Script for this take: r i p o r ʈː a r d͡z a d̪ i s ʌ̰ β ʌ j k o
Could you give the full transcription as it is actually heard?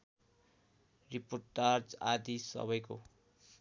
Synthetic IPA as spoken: r i p o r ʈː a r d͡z a d̪ i s ʌ̰ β ʌ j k o